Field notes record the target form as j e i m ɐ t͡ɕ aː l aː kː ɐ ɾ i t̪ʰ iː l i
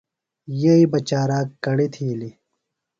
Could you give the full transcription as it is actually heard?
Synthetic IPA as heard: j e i b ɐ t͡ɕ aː ɾ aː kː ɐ ɽ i t̪ʰ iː l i